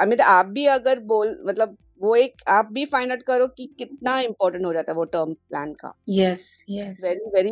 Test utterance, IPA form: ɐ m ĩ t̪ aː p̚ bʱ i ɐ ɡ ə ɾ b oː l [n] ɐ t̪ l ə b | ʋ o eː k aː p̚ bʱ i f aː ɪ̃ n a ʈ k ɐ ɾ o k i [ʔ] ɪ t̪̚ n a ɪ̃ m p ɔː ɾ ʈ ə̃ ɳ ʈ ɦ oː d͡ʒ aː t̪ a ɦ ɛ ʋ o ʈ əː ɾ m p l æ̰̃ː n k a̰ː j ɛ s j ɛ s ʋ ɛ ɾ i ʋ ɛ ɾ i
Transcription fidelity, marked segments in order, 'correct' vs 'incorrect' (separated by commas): incorrect, incorrect